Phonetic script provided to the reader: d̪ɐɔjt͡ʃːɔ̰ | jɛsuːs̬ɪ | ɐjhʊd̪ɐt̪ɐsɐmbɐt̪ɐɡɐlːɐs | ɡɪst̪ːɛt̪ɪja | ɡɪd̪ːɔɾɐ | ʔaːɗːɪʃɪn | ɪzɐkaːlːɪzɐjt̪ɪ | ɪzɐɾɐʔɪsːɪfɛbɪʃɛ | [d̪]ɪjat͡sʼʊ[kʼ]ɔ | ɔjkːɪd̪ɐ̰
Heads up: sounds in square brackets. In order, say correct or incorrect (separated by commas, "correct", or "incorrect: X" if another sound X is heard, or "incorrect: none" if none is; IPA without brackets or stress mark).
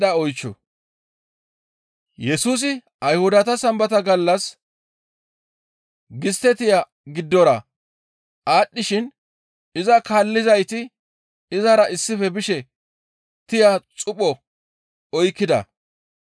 incorrect: t̪, incorrect: pʼ